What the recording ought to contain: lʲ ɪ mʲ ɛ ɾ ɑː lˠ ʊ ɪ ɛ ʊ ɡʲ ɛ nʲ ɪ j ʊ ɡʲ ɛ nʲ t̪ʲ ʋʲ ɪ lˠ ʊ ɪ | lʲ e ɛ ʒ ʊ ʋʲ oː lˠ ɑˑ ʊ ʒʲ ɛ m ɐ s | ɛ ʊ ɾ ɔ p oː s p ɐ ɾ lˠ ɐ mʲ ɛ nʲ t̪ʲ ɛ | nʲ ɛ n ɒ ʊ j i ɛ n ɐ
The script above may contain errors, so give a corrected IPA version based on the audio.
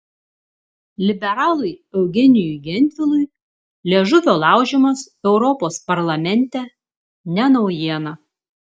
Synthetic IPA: lʲ ɪ bʲ ɛ ɾ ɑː lˠ ʊ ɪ ɛ ʊ ɡʲ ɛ nʲ ɪ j ʊ ɡʲ ɛ nʲ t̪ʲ ʋʲ ɪ lˠ ʊ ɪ | lʲ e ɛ ʒ ʊ ʋʲ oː lˠ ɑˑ ʊ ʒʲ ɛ m ɐ s | ɛ ʊ ɾ ɔ p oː s p ɐ ɾ lˠ ɐ mʲ ɛ nʲ t̪ʲ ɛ | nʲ ɛ n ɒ ʊ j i ɛ n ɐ